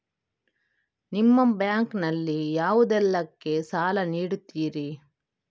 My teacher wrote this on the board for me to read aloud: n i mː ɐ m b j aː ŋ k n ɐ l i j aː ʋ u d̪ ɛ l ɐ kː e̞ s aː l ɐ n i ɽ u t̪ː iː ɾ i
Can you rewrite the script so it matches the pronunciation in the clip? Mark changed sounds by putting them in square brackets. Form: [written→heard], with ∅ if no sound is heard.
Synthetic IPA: n i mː ɐ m b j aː ŋ k n ɐ [l→lː] i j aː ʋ u d̪ ɛ [l→lː] ɐ kː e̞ s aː l ɐ n [i→iː] ɽ u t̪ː iː ɾ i

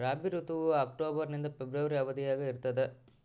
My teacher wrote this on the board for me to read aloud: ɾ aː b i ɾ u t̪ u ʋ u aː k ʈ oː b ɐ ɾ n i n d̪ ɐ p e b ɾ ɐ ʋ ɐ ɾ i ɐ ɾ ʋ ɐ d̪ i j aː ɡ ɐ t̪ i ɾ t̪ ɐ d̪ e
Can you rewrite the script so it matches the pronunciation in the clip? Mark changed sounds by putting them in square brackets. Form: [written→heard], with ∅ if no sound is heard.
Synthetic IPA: ɾ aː b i ɾ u t̪ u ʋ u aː k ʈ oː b ɐ ɾ n i n d̪ ɐ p e b ɾ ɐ ʋ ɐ ɾ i ɐ [ɾ→∅] ʋ ɐ d̪ i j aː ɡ ɐ [t̪→∅] i ɾ t̪ ɐ d̪ e

